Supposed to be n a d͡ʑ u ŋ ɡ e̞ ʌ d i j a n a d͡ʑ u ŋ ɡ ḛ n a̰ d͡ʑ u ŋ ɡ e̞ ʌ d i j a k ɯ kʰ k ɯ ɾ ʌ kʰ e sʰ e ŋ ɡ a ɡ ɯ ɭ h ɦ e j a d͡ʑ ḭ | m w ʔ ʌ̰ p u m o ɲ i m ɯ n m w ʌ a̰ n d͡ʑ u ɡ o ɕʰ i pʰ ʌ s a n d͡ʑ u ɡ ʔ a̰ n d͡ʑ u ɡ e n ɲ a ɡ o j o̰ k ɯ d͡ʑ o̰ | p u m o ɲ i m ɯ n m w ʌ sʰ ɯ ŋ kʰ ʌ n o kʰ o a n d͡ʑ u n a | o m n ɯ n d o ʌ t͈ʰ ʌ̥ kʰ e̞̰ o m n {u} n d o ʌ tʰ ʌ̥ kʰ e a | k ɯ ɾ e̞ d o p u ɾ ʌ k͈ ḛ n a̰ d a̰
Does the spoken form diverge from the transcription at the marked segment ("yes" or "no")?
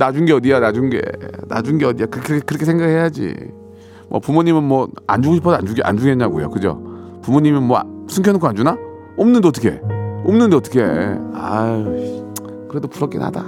yes